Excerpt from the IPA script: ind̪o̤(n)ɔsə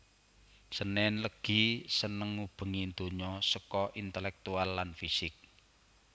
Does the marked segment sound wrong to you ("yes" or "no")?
yes